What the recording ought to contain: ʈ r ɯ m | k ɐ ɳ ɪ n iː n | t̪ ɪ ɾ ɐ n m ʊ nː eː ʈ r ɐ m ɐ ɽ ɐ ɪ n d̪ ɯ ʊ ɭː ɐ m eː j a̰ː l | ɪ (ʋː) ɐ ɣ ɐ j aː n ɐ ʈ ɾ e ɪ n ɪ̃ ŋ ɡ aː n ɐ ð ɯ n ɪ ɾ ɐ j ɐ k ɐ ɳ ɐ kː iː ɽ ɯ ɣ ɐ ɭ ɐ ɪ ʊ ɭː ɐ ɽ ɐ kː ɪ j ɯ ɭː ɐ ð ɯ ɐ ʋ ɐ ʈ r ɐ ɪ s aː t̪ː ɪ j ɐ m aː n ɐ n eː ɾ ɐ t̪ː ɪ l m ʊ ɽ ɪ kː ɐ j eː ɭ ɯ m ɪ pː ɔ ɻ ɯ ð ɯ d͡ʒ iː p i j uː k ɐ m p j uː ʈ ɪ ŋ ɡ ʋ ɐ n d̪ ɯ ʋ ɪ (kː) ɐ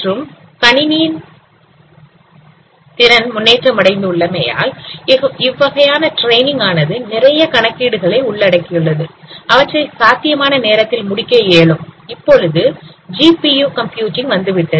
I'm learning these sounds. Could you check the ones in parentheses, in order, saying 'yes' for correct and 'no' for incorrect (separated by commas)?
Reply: yes, no